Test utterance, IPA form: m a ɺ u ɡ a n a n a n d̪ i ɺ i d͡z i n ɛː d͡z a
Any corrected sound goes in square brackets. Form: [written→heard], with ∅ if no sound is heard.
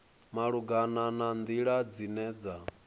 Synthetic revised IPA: m a ɺ u ɡ a n a n a n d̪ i ɺ [i→a] d͡z i n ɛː d͡z a